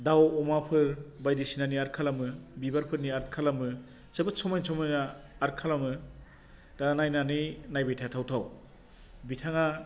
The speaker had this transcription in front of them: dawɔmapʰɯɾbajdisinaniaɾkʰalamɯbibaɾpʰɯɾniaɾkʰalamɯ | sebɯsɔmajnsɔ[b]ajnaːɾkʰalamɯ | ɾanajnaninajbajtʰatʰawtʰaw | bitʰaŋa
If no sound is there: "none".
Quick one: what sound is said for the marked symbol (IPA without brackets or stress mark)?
m